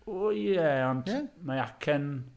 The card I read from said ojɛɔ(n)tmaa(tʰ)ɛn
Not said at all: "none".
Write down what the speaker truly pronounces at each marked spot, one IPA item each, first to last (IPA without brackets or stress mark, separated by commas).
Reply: n, kʰ